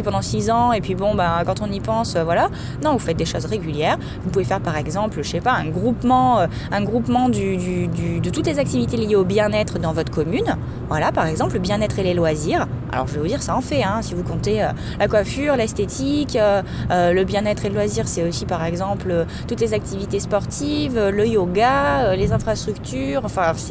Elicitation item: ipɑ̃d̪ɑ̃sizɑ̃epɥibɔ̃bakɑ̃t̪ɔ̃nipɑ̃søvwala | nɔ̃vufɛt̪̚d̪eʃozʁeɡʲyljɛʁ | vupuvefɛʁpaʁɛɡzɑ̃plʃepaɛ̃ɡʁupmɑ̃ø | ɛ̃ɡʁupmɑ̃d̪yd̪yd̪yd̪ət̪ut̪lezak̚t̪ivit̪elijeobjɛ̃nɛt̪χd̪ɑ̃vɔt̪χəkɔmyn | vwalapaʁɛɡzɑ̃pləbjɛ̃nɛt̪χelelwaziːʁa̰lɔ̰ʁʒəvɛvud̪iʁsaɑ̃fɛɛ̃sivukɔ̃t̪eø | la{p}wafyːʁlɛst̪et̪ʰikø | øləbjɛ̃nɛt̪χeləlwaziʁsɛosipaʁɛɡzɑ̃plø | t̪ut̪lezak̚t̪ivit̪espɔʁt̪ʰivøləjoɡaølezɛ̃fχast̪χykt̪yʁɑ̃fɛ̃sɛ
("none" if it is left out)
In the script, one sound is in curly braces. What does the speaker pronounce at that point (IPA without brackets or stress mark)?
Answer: k